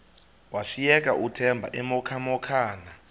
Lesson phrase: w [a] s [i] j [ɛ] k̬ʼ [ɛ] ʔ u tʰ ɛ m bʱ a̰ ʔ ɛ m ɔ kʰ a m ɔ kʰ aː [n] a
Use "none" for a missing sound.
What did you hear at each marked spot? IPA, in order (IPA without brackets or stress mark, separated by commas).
a, i, ɛ, a, n